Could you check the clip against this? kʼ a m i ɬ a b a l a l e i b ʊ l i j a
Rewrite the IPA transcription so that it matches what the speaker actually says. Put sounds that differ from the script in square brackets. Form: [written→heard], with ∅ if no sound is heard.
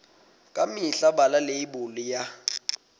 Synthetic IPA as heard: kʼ a m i ɬ a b a l a l e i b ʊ l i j a